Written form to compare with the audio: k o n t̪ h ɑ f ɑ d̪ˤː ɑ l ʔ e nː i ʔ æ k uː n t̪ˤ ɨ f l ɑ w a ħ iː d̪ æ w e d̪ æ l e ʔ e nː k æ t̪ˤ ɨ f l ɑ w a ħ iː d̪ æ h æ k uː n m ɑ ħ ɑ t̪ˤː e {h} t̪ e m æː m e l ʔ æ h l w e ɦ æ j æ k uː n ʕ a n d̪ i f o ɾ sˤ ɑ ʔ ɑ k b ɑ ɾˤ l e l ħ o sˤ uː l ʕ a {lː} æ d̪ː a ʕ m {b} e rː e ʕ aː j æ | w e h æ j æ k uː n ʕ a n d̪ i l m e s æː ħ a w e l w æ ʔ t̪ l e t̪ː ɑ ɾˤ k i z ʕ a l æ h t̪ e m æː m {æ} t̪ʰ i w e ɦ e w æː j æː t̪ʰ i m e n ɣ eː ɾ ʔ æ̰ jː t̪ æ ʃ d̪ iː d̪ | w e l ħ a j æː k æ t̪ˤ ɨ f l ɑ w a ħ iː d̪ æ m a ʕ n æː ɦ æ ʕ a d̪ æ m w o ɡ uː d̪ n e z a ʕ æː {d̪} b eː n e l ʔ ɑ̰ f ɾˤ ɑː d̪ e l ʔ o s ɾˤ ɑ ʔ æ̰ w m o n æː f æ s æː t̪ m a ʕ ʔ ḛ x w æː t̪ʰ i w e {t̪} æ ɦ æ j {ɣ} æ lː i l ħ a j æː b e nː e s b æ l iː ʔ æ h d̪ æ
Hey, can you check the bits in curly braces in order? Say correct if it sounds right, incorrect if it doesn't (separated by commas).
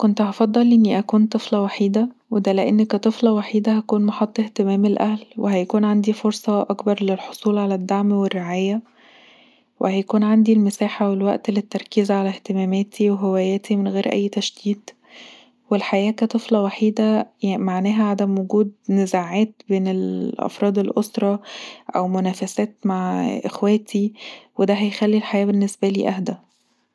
correct, incorrect, incorrect, incorrect, incorrect, incorrect, incorrect